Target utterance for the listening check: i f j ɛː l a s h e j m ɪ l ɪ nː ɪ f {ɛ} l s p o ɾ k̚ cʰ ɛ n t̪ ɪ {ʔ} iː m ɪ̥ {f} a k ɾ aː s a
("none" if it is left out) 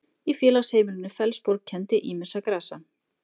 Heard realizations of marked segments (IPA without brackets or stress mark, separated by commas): ɛ, ʔ, s